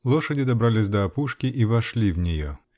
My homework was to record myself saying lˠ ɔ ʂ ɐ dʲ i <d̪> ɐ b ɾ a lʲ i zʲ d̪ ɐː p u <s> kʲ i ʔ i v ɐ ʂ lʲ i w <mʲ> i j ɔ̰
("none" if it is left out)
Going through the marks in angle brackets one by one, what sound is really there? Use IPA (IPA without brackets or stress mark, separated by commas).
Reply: d̪, ʂ, nʲ